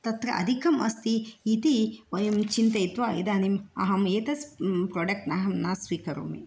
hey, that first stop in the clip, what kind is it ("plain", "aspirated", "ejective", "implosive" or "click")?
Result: plain